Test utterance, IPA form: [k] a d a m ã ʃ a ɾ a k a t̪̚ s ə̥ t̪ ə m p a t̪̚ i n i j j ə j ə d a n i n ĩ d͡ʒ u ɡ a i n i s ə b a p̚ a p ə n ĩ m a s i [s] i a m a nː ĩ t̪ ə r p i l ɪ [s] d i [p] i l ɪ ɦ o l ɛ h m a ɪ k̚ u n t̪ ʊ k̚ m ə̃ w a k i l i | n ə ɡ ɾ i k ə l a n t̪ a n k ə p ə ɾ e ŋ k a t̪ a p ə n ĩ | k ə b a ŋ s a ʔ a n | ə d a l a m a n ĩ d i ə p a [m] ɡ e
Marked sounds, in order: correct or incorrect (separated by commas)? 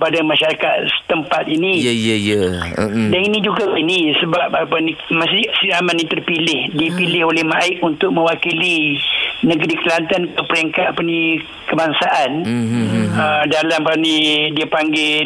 incorrect, correct, incorrect, correct, incorrect